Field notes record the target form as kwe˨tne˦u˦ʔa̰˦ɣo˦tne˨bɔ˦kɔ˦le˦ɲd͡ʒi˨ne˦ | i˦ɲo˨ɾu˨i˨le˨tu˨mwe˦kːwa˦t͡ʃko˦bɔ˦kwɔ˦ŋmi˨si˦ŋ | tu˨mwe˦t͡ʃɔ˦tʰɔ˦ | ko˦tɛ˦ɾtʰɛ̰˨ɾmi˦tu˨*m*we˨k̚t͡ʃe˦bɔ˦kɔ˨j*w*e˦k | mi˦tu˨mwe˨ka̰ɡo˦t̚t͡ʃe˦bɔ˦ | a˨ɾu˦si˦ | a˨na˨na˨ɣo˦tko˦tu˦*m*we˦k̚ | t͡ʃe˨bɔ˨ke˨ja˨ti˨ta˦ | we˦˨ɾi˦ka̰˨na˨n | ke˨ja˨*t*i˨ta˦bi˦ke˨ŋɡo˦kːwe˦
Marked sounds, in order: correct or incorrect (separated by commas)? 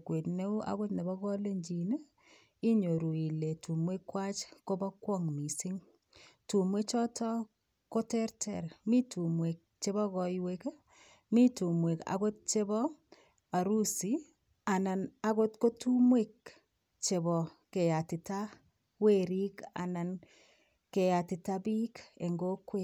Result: correct, correct, correct, correct